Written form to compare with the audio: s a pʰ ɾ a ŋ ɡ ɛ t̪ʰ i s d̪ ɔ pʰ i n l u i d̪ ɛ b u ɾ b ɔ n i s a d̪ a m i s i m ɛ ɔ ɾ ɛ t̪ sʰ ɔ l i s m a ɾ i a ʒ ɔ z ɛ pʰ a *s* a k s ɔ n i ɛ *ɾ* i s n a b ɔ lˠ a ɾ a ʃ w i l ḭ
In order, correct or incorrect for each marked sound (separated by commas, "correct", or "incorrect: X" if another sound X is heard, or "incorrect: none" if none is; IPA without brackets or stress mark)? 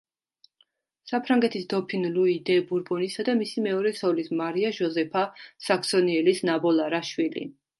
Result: correct, incorrect: l